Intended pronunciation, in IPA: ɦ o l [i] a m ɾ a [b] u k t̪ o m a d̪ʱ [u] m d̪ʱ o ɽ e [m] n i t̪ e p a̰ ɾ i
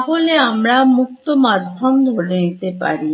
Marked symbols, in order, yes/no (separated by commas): no, no, no, no